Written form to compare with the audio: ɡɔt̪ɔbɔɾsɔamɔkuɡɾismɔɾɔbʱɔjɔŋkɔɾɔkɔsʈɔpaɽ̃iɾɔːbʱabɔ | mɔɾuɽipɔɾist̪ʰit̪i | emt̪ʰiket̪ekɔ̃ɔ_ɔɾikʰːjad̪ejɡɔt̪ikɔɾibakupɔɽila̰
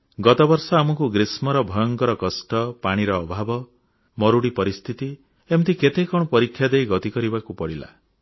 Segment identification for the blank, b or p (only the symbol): p